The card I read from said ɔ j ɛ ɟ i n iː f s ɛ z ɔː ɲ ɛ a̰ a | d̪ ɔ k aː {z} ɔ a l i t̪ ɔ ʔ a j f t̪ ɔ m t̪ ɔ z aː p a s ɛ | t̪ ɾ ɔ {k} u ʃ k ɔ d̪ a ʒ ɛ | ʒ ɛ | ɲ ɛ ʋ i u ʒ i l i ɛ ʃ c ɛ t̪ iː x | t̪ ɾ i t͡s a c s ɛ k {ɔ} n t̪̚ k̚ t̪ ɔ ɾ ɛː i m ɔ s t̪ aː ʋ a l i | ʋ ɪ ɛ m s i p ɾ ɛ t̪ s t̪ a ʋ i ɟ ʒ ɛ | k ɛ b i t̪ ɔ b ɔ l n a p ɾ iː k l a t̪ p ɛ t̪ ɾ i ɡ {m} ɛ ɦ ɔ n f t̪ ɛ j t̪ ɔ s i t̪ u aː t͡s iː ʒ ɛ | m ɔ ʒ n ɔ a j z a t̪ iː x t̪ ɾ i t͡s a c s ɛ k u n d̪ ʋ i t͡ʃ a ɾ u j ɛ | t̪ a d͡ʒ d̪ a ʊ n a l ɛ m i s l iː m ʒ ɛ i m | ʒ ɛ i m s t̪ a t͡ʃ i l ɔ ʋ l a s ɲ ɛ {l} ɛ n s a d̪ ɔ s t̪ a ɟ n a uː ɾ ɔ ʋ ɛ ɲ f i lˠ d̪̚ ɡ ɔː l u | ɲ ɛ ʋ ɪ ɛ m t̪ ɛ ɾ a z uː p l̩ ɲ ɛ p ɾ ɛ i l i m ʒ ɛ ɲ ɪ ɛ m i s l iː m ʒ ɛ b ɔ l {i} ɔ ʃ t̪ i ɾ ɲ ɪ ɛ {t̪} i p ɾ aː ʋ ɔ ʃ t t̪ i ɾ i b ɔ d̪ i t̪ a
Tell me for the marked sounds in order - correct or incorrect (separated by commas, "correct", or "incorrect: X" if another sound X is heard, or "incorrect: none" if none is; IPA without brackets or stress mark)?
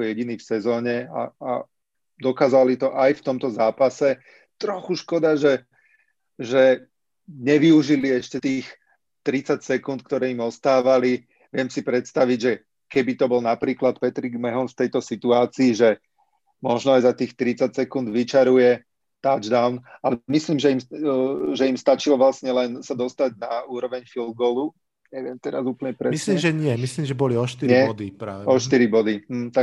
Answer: correct, incorrect: x, incorrect: u, correct, correct, correct, incorrect: d̪